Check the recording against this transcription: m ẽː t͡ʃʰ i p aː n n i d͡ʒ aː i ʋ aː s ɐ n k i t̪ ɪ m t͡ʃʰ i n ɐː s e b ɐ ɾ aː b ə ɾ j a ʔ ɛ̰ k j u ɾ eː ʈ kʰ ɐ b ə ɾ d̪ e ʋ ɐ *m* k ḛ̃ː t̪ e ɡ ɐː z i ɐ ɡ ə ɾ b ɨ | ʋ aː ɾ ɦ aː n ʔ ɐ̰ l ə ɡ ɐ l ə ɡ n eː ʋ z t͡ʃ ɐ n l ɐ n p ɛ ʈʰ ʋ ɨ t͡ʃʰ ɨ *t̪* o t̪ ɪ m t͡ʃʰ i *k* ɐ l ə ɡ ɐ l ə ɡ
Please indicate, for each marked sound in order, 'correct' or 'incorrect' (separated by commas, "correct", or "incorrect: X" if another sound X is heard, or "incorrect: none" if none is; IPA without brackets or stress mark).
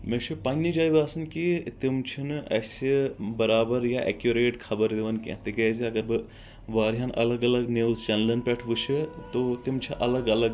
incorrect: n, correct, incorrect: ʔ